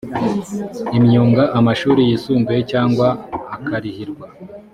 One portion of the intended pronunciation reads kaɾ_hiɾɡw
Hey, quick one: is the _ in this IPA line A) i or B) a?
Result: A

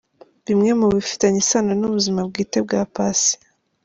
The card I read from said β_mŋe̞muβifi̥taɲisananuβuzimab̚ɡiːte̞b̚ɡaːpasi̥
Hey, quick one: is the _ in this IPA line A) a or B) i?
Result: B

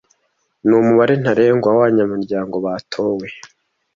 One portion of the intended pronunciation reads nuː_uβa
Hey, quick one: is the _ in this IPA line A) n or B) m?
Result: B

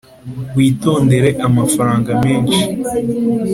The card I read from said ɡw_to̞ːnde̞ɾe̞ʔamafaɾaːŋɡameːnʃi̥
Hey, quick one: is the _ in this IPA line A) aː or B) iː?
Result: B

